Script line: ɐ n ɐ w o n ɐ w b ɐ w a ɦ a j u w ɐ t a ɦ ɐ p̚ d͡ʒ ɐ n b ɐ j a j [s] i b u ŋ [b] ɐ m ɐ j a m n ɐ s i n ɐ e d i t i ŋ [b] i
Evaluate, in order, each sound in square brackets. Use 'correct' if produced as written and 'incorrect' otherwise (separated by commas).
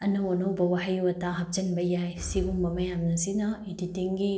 correct, correct, incorrect